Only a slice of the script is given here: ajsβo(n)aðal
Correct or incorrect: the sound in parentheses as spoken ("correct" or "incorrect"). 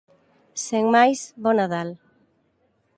correct